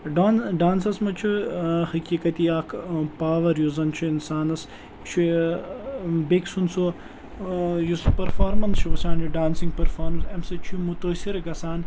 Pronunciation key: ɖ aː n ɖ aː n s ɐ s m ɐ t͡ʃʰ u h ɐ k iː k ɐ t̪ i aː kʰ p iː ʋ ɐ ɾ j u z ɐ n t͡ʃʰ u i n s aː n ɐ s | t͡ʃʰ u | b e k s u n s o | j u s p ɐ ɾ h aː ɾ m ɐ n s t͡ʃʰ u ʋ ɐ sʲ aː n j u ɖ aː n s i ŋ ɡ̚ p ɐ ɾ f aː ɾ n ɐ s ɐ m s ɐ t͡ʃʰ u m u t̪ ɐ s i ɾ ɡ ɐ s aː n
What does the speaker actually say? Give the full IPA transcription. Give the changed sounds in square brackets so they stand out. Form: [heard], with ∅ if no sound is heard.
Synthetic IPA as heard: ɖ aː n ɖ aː n s ɐ s m ɐ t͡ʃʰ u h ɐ k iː k ɐ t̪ i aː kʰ p [aː] ʋ ɐ ɾ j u z ɐ n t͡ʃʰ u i n s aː n ɐ s | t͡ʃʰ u | b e k s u n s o | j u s p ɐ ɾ [f] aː ɾ m ɐ n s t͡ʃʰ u ʋ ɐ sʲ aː n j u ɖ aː n s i ŋ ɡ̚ p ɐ ɾ f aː ɾ [m] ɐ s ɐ m s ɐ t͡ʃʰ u m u t̪ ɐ s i ɾ ɡ ɐ s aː n